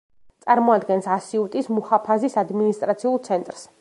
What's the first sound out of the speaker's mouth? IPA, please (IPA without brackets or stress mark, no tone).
t̪